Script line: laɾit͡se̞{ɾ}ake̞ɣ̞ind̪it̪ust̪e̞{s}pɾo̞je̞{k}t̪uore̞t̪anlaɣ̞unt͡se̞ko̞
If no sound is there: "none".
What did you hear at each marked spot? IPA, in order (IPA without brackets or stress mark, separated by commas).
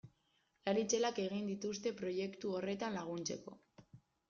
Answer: l, none, k